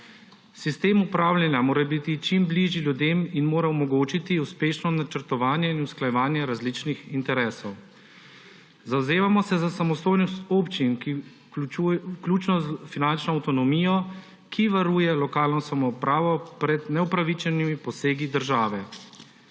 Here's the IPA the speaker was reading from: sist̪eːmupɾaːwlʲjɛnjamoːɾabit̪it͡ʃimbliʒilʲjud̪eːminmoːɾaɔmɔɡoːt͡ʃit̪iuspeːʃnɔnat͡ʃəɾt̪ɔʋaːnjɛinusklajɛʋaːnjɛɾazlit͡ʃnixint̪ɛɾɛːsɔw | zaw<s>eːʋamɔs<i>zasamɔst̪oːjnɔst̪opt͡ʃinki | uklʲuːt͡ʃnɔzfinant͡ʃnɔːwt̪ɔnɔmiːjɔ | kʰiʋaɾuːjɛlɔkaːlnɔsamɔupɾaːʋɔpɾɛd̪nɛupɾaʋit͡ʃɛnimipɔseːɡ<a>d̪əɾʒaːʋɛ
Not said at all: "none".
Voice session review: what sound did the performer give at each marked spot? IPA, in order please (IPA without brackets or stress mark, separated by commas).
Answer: z, ɛ, i